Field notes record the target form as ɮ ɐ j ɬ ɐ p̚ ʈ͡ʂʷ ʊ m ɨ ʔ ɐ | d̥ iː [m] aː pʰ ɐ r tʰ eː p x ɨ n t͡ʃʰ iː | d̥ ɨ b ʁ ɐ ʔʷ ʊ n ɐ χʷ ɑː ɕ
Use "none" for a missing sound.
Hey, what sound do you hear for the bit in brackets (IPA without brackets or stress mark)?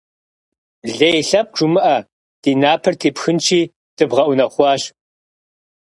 n